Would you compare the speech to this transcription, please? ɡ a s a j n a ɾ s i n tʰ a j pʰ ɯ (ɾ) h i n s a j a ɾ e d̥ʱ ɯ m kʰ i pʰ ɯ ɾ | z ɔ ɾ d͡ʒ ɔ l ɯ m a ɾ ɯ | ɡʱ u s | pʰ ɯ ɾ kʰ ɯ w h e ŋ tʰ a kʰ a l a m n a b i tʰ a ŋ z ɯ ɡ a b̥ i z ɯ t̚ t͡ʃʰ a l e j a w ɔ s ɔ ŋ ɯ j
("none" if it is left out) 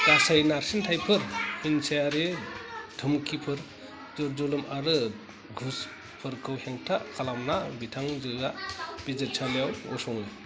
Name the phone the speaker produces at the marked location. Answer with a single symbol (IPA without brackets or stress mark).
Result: ɾ